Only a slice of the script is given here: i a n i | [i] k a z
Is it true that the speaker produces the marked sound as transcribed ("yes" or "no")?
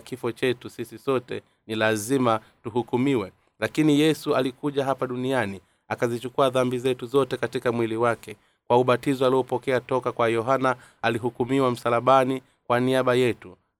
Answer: no